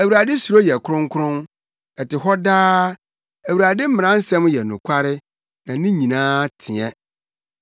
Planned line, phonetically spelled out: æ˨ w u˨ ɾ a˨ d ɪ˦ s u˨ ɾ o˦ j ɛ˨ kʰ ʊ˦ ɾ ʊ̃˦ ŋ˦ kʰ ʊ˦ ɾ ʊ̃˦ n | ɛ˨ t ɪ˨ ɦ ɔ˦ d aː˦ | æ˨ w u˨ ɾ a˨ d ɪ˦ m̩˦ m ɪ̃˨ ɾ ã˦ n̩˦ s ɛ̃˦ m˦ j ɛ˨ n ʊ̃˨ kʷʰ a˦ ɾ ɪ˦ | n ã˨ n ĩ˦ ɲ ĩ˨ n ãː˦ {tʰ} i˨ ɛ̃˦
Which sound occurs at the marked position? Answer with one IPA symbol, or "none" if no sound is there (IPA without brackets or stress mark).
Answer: tʰ